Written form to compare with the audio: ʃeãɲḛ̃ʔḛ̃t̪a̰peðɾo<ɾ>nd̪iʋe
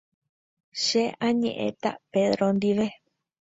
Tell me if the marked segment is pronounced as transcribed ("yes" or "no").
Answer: no